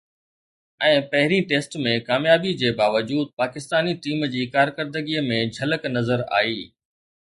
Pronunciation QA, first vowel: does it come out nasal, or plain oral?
nasal